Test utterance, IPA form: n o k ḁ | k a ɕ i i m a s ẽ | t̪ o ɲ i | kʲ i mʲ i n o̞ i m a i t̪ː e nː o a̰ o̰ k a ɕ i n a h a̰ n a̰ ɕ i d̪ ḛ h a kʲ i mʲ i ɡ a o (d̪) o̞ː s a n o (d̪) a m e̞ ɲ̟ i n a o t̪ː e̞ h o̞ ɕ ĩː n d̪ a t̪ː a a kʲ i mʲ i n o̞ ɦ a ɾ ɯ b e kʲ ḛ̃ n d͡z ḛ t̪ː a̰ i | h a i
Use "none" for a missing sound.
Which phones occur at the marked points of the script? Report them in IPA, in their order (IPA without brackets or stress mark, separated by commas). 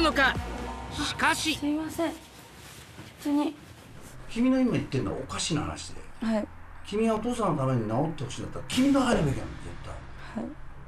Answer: t̪, t̪